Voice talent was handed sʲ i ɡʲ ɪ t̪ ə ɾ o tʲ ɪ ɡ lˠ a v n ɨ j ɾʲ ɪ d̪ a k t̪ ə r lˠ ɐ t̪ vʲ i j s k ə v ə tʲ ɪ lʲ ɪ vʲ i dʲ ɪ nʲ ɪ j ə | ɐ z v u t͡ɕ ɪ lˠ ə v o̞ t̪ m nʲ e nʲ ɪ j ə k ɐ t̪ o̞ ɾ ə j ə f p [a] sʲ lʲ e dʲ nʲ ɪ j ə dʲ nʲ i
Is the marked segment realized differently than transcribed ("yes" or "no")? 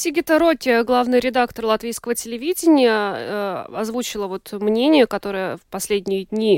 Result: yes